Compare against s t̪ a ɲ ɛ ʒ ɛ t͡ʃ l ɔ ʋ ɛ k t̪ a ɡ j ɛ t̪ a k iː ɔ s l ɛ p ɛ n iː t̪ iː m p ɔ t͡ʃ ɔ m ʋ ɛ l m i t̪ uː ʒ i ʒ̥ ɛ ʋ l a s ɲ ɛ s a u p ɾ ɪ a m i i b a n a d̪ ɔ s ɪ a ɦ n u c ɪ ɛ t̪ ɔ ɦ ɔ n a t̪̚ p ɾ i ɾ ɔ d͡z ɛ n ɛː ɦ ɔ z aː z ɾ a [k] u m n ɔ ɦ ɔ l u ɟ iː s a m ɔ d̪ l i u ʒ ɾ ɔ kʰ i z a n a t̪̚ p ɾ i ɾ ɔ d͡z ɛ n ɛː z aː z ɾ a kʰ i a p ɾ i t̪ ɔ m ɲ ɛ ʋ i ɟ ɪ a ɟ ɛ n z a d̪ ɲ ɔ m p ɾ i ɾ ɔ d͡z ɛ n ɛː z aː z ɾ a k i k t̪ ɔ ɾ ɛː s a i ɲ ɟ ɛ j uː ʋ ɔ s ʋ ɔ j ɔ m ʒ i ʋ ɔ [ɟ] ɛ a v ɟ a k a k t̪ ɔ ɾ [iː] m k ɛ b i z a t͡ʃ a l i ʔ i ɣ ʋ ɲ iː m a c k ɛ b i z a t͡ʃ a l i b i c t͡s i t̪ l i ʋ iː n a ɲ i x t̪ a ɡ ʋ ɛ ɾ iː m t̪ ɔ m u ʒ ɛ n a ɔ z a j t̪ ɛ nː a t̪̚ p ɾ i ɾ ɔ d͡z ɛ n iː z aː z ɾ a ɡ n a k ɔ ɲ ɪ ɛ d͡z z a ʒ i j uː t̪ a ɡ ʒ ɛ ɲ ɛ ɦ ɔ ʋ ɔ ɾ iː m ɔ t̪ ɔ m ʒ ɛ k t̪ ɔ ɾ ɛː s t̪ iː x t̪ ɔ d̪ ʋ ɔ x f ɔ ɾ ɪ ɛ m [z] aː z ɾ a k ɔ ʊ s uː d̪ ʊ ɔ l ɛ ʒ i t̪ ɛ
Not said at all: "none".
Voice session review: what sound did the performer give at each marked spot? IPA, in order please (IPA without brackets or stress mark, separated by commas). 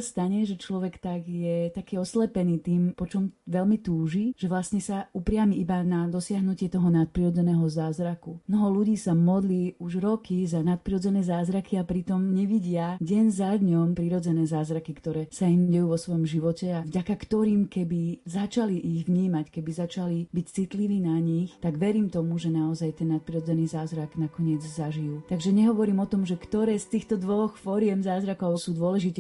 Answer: k, c, iː, z